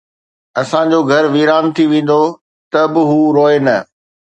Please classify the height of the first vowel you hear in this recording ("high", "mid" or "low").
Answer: low